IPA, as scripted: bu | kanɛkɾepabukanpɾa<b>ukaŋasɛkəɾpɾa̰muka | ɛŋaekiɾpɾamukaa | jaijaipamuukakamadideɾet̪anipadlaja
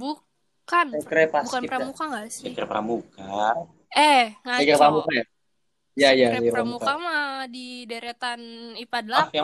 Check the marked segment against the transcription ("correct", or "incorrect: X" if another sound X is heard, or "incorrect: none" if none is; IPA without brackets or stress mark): incorrect: m